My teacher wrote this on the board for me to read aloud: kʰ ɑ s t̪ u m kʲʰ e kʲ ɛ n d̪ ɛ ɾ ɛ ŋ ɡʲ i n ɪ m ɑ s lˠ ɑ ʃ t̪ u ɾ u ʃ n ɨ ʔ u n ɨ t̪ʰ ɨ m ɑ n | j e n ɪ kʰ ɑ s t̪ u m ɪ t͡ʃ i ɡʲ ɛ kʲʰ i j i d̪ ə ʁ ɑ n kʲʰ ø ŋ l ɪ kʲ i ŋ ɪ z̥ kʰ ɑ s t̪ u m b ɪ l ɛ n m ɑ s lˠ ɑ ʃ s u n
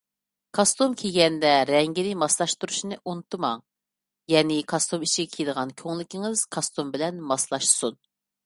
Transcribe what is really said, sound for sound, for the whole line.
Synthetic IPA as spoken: kʰ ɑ s t̪ u m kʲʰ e ɡʲ ɛ n d̪ ɛ ɾ ɛ ŋ ɡʲ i n ɪ m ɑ s lˠ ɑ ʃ t̪ u ɾ u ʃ n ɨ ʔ u n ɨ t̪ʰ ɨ m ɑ ŋ | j ɛ n ɪ kʰ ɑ s t̪ u m i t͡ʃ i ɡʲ ɛ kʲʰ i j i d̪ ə ʁ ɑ n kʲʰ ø ŋ l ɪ kʲ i ŋ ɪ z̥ kʰ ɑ s t̪ u m b ɪ l ɛ n m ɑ s lˠ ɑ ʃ s u n

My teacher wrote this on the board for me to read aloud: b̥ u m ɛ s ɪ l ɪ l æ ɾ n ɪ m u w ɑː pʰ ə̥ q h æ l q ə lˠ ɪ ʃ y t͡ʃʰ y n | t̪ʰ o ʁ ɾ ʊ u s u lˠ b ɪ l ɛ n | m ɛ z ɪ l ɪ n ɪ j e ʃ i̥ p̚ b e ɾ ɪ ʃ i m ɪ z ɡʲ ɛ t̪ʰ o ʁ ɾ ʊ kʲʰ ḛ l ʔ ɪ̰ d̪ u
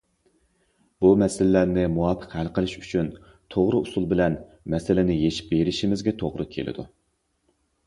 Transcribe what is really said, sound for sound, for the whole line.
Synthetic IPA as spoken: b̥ u m ɛ s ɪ l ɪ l æ ɾ n ɪ m u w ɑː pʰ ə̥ q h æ l q ə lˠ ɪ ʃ y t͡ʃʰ y n | t̪ʰ o ʁ ɾ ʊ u s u lˠ b ɪ l ɛ n | m ɛ s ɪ l ɪ n ɪ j e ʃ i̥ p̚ b e ɾ ɪ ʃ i m ɪ z ɡʲ ɛ t̪ʰ o ʁ ɾ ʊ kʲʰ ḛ l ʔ ɪ̰ d̪ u

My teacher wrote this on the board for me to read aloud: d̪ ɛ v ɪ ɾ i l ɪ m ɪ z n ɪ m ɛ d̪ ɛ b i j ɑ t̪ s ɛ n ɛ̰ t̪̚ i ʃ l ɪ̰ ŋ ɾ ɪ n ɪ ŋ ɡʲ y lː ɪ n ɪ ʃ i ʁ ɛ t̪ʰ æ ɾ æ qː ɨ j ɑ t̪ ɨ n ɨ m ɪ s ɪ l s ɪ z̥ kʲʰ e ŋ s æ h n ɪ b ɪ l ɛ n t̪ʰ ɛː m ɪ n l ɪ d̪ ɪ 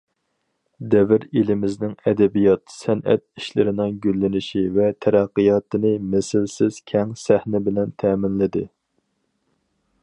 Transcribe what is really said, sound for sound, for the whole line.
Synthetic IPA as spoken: d̪ ɛ v ɪ ɾ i l ɪ m ɪ z n ɪ ŋ ɛ d̪ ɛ b i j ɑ t̪ s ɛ n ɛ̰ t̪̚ i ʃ l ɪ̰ ɾ ɪ n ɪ ŋ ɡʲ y lː ɪ n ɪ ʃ i v ɛ t̪ʰ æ ɾ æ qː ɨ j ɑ t̪ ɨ n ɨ m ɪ s ɪ l s ɪ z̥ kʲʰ ɛ ŋ s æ h n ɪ b ɪ l ɛ n t̪ʰ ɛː m ɪ n l ɪ d̪ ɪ

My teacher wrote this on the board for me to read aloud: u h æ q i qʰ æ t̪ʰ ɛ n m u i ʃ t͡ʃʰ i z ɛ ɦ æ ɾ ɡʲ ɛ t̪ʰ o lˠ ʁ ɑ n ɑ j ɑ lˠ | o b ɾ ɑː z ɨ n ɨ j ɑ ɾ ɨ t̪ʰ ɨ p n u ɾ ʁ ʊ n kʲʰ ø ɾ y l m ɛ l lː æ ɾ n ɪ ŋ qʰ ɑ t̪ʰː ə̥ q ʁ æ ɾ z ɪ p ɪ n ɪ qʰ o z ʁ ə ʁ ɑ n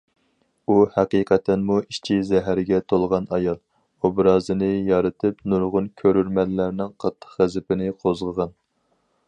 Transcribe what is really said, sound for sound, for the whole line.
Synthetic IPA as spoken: u h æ q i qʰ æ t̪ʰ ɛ n m u i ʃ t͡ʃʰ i z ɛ ɦ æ ɾ ɡʲ ɛ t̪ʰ o lˠ ʁ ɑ n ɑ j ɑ lˠ | o b ɾ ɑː z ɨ n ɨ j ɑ ɾ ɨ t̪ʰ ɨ p n u ɾ ʁ ʊ n kʲʰ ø ɾ y ɾ m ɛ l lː æ ɾ n ɪ ŋ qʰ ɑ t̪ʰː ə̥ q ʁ æ z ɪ p ɪ n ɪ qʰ o z ʁ ə ʁ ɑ n

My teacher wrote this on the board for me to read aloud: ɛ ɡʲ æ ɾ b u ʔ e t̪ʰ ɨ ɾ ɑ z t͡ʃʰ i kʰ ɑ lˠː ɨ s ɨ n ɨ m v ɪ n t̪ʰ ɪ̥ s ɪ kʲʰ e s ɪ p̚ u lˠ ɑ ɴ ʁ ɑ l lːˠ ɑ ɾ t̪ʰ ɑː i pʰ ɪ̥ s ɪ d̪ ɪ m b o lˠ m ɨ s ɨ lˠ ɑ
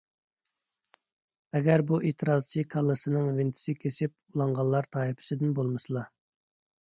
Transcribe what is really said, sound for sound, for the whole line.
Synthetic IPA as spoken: ɛ ɡʲ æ ɾ b u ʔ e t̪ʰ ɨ ɾ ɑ z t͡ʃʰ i kʰ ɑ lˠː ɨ s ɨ n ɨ ŋ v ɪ n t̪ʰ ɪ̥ s ɪ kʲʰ e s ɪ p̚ u lˠ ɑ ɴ ʁ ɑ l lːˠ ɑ ɾ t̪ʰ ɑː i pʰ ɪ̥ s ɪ d̪ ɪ n b o lˠ m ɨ s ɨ lˠ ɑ

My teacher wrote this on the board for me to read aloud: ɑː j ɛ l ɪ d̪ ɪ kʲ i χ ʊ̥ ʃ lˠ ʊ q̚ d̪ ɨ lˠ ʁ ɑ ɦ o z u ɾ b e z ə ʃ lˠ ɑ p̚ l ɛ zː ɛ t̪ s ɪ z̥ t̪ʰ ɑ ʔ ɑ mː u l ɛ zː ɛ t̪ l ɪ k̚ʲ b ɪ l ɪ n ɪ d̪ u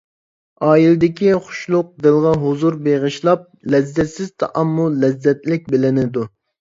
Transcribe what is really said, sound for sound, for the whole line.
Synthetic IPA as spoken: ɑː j i l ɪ d̪ ɪ kʲ i χ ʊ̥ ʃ lˠ ʊ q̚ d̪ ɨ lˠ ʁ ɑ ɦ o z u ɾ b e ʁ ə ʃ lˠ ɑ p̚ l ɛ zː ɛ t̪ s ɪ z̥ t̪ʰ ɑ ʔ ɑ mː u l ɛ zː ɛ t̪ l ɪ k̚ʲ b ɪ l ɪ n ɪ d̪ u

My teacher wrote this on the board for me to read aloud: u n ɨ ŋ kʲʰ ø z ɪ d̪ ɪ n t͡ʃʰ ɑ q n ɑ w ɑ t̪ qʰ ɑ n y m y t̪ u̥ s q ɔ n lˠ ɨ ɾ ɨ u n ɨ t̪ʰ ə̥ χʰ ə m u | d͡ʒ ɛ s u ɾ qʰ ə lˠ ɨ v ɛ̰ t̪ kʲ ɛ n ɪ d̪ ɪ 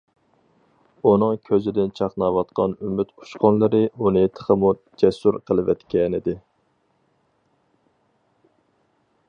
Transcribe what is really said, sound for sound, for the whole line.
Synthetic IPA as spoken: u n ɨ ŋ kʲʰ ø z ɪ d̪ ɪ n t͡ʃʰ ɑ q n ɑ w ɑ t̪ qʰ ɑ n y m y t̪ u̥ ʃ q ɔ n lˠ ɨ ɾ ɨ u n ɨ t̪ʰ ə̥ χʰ ə m u | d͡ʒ ɛ s u ɾ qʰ ə lˠ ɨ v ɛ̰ t̪ kʲ ɛ n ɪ d̪ ɪ

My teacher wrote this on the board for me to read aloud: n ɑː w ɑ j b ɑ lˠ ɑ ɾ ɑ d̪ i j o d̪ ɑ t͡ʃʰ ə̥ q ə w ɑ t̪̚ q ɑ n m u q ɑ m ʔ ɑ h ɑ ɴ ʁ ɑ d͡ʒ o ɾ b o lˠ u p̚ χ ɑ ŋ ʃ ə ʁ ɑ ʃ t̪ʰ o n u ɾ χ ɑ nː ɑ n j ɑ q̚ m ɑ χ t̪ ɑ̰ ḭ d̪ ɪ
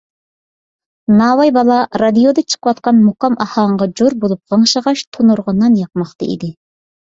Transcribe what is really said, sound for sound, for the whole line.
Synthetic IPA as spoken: n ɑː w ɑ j b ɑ lˠ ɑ ɾ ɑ d̪ i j o d̪ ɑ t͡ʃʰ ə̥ q ə w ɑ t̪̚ q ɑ n m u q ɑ m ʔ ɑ h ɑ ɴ ʁ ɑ d͡ʒ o ɾ b o lˠ u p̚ ʁ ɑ ŋ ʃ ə ʁ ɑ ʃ t̪ʰ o n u ɾ ʁ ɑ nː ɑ n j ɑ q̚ m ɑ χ t̪ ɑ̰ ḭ d̪ ɪ

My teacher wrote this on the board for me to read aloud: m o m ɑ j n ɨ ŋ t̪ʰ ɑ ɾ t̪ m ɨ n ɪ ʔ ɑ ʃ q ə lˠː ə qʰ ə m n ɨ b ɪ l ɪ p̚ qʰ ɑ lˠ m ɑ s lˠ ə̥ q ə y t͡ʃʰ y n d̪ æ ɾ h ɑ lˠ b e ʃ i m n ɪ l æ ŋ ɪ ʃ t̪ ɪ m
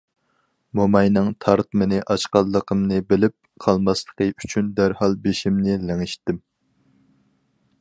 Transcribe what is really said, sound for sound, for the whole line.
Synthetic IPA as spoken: m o m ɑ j n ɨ ŋ t̪ʰ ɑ ɾ t̪ m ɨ n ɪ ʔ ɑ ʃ q ɑ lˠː ə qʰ ə m n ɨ b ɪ l ɪ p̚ qʰ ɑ lˠ m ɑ s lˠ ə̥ q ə y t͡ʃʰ y n d̪ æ ɾ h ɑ lˠ b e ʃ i m n ɪ l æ ŋ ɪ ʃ t̪ ɪ m

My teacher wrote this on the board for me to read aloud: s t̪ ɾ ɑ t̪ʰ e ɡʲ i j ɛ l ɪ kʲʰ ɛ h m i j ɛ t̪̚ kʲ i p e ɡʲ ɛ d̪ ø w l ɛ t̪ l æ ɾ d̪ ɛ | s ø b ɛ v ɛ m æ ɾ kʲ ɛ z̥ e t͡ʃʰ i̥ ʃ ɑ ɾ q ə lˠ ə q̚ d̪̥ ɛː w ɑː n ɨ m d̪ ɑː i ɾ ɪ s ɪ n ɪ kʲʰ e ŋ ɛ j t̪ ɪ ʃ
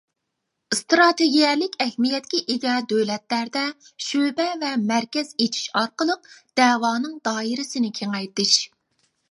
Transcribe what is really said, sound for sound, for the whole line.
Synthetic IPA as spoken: s t̪ ɾ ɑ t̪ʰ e ɡʲ i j ɛ l ɪ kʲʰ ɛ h m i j ɛ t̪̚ kʲ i ʔ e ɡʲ ɛ d̪ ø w l ɛ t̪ l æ ɾ d̪ ɛ | ʃ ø b ɛ v ɛ m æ ɾ kʲ ɛ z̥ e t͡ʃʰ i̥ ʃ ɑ ɾ q ə lˠ ə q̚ d̪̥ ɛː w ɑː n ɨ ŋ d̪ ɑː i ɾ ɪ s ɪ n ɪ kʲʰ e ŋ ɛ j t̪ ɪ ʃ

